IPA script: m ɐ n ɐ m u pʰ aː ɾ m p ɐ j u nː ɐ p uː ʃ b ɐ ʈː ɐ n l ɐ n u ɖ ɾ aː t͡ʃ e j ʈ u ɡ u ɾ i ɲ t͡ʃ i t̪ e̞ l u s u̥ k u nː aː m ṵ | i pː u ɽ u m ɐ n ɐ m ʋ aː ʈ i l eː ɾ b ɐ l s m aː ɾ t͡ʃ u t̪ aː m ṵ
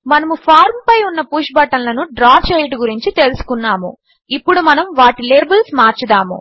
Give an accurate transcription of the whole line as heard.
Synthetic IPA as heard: m ɐ n ɐ m u pʰ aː ɾ m p ɐ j u nː ɐ p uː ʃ b ɐ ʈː ɐ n l ɐ n u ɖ ɾ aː t͡ʃ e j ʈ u ɡ u ɾ i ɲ t͡ʃ i t̪ e̞ l u s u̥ k u nː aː m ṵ | i pː u ɽ u m ɐ n ɐ m ʋ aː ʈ i l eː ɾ b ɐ l s m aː ɾ t͡ʃ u d̪ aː m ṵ

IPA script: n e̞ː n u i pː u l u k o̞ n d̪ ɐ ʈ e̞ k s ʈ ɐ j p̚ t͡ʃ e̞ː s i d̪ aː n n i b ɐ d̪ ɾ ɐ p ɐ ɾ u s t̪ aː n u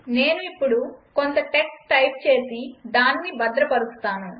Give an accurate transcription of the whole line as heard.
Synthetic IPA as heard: n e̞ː n u i pː u ɽ u k o̞ n t̪ ɐ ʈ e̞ k s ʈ ɐ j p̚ t͡ʃ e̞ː s i d̪ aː n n i b ɐ d̪ ɾ ɐ p ɐ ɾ u s t̪ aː n u

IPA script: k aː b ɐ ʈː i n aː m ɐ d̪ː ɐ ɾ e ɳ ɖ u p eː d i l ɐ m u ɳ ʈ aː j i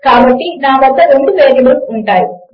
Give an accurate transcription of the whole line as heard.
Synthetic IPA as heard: k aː b ɐ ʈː i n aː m ɐ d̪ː ɐ ɾ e ɳ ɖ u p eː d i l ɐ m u ɳ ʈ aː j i

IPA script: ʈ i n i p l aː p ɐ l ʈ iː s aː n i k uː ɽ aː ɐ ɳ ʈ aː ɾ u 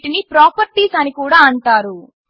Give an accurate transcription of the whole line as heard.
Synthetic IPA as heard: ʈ i n i p ɾ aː p ɐ ɾ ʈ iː s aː n i k uː ɽ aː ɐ ɳ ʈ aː ɾ u

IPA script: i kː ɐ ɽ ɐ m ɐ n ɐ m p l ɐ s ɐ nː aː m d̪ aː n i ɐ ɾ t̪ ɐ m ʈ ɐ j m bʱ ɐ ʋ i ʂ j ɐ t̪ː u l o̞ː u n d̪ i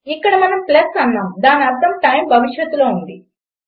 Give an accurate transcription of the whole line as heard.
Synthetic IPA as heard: i kː ɐ ɽ ɐ m ɐ n ɐ m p l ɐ s ɐ nː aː m d̪ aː n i ɐ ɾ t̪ ɐ m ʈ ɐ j m bʱ ɐ ʋ i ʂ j ɐ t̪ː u l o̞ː u n d̪ i

